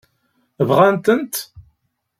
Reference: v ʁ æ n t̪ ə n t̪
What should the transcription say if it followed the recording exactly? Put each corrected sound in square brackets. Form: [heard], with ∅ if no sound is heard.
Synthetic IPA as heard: v ʁ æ n t̪ ə n t̪